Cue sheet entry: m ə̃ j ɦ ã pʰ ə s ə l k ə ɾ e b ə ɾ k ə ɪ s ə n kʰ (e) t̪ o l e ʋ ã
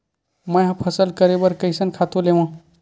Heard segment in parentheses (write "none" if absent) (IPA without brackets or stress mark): a